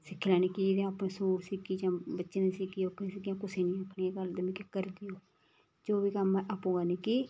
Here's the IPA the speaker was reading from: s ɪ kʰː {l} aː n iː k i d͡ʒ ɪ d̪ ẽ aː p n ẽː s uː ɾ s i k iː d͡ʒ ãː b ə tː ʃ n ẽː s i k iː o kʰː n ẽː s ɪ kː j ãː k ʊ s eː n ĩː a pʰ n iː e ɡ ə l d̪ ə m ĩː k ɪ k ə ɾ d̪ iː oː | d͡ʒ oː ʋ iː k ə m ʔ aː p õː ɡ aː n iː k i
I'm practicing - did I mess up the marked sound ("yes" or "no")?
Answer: no